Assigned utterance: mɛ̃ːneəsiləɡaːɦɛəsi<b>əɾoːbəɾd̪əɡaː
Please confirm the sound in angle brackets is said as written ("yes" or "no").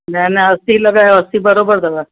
yes